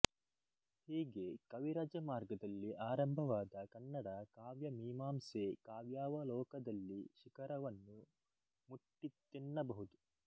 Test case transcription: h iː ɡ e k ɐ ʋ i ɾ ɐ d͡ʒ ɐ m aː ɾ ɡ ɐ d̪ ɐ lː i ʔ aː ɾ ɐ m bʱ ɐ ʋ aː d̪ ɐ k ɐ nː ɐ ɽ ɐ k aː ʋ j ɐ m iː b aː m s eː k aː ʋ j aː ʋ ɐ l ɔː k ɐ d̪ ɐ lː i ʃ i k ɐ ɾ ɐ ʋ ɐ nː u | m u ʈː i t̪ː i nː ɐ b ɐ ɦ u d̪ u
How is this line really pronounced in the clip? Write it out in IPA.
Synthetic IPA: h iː ɡ e k ɐ ʋ i ɾ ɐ d͡ʒ ɐ m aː ɾ ɡ ɐ d̪ ɐ lː i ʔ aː ɾ ɐ m bʱ ɐ ʋ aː d̪ ɐ k ɐ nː ɐ ɽ ɐ k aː ʋ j ɐ m iː m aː m s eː k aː ʋ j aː ʋ ɐ l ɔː k ɐ d̪ ɐ lː i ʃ i k ɐ ɾ ɐ ʋ ɐ nː u | m u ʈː i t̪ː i nː ɐ b ɐ ɦ u d̪ u